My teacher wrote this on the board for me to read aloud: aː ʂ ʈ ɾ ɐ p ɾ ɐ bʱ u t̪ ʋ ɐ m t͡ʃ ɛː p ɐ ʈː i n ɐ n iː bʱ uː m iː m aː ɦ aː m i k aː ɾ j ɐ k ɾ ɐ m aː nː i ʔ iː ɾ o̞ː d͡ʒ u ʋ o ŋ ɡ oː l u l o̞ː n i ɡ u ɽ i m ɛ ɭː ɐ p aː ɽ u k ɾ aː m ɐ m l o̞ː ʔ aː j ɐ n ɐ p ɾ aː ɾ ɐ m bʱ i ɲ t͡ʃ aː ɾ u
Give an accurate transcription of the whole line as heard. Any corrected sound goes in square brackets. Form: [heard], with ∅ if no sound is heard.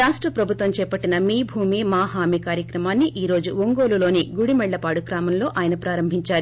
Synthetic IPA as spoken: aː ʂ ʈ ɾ ɐ p ɾ ɐ bʱ u t̪ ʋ ɐ m t͡ʃ ɛː p ɐ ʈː i n ɐ [m] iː bʱ uː m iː m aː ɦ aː m i k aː ɾ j ɐ k ɾ ɐ m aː nː i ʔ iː ɾ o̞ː d͡ʒ u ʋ o ŋ ɡ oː l u l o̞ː n i ɡ u ɽ i m ɛ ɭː ɐ p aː ɽ u k ɾ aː m ɐ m l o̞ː ʔ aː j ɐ n ɐ p ɾ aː ɾ ɐ m bʱ i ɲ t͡ʃ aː ɾ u